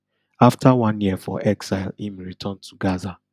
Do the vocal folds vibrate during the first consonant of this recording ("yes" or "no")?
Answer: no